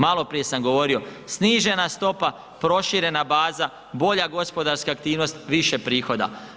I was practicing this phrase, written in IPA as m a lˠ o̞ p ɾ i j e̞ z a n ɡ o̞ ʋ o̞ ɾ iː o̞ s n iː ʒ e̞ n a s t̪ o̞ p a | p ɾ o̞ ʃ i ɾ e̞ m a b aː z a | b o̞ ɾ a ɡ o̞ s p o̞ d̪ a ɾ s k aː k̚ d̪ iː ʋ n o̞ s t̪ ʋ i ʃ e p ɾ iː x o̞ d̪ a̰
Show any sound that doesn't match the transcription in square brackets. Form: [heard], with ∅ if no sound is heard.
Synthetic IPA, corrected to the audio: m a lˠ o̞ p ɾ i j e̞ [s] a [m] ɡ o̞ ʋ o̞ ɾ [i] o̞ s n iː ʒ e̞ n a s t̪ o̞ p a | p ɾ o̞ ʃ i ɾ e̞ [n] a b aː z a | b o̞ [ʎ] a ɡ o̞ s p o̞ d̪ a ɾ s k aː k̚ [t̪] iː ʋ n o̞ s t̪ ʋ i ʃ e p ɾ iː x o̞ d̪ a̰